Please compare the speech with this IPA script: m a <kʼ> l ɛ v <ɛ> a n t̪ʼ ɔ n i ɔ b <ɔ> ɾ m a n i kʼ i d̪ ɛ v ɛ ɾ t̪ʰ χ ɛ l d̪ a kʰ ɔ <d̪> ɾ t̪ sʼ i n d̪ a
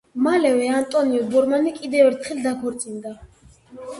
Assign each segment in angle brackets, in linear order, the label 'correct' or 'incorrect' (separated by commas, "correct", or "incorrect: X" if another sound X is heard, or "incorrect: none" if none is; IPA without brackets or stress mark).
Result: incorrect: none, correct, correct, incorrect: none